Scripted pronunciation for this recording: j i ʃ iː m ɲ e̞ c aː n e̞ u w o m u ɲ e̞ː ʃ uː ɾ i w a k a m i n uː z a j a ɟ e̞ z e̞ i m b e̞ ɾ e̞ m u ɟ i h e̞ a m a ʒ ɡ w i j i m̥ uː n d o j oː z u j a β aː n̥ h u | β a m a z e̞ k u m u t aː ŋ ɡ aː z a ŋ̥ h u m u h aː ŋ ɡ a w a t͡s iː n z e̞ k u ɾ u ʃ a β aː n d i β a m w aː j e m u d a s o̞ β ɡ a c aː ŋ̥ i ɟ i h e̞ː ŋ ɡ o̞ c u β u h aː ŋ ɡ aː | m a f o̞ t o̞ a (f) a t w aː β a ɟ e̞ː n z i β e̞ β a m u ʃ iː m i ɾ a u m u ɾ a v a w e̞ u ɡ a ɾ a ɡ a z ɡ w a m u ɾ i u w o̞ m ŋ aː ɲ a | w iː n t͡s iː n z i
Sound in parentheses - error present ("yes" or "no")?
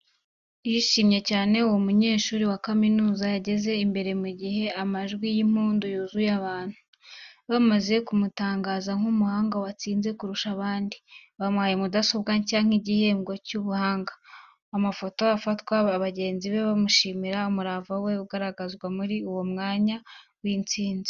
no